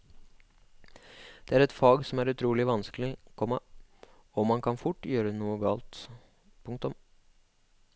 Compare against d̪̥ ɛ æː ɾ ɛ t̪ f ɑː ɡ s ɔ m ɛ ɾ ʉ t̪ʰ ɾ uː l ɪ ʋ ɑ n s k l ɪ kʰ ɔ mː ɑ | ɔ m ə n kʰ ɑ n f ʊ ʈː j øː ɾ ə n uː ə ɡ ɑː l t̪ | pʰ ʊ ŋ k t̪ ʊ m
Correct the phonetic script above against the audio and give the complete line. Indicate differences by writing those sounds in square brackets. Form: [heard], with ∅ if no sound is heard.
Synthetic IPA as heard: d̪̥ ɛ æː ɾ ɛ t̪ f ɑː ɡ s ɔ m [æ] ɾ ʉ t̪ʰ ɾ uː l ɪ ʋ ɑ n s k l ɪ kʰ ɔ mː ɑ | ɔ m [ɑ] n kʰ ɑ n f ʊ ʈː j øː ɾ ə n uː ə ɡ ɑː l t̪ | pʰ ʊ ŋ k t̪ ʊ m